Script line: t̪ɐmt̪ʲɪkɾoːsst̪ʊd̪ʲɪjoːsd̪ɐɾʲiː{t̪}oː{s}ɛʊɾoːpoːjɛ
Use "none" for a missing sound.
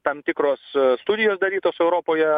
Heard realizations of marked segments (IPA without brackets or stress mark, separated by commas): t̪, s